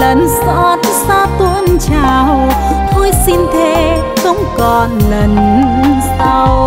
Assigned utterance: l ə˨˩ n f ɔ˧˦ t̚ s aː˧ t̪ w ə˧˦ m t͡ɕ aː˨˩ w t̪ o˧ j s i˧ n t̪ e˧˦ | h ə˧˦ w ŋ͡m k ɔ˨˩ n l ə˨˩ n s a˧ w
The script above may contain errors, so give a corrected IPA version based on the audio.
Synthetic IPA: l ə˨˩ n s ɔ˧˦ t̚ s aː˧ t̪ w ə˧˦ n t͡ɕ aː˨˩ w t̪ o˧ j s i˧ n t̪ʰ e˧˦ | x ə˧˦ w ŋ͡m k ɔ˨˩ n l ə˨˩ n s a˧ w